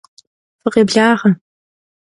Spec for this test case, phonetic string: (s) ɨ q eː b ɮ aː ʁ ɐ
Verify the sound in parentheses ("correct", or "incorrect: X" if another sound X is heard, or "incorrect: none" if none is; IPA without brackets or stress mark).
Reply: incorrect: f